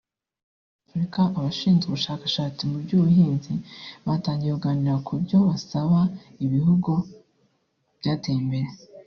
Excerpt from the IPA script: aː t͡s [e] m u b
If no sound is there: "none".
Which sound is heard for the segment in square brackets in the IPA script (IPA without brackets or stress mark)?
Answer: i